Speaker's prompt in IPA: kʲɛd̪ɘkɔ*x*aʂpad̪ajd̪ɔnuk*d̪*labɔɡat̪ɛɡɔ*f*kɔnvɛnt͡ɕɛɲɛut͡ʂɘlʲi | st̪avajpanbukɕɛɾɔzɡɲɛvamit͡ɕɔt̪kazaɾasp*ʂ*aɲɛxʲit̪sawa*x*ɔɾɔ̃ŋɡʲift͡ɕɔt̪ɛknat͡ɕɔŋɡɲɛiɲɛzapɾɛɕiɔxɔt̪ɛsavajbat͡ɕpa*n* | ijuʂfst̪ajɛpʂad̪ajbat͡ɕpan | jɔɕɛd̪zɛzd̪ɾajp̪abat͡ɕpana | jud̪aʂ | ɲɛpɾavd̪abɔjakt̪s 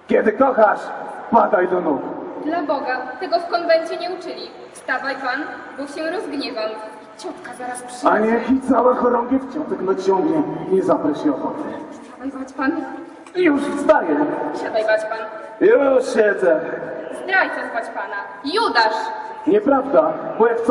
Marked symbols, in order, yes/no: yes, yes, yes, yes, yes, yes

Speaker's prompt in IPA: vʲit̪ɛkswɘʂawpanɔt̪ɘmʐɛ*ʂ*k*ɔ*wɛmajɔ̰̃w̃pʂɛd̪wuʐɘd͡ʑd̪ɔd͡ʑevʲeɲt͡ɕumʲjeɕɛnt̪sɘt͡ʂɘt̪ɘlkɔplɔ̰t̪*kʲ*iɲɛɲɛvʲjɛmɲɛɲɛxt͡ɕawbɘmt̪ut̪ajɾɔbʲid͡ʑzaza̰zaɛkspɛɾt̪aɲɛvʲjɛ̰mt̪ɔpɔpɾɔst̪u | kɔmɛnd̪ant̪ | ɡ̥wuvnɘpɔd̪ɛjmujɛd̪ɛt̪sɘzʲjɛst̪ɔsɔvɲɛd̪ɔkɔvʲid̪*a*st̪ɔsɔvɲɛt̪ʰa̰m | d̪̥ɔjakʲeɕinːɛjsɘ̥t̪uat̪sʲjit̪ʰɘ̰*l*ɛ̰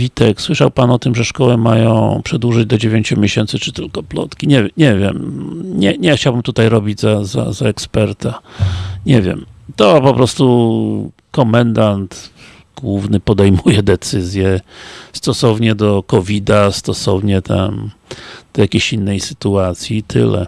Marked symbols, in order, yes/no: yes, yes, yes, yes, yes

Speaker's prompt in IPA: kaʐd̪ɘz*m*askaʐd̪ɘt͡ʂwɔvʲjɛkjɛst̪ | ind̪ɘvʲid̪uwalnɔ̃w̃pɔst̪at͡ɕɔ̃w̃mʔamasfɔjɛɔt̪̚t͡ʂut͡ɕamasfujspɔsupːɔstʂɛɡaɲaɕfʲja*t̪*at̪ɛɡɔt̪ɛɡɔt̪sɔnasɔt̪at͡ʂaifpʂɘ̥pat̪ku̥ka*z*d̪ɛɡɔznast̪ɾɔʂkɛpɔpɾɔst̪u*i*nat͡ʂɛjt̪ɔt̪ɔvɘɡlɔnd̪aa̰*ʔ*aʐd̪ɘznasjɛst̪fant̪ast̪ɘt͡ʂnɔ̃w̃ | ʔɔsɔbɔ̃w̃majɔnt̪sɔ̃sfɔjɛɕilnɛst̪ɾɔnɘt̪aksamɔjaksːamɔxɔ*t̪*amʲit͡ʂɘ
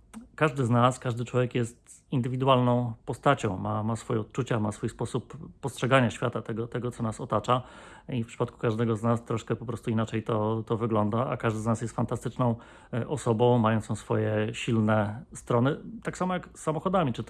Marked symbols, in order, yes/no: no, yes, no, yes, no, no

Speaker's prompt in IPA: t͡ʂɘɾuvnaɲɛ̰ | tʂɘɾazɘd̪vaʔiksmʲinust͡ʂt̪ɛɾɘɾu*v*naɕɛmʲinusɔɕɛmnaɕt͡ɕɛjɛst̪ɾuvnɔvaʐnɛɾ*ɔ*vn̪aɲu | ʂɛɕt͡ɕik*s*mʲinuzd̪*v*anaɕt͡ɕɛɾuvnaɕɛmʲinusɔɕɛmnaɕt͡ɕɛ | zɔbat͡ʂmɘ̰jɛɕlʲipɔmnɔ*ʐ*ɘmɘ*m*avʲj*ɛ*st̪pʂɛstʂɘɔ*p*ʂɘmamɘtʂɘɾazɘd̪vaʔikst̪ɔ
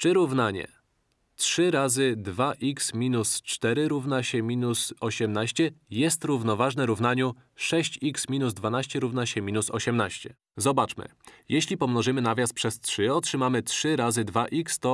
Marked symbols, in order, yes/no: yes, no, yes, yes, yes, no, no, no

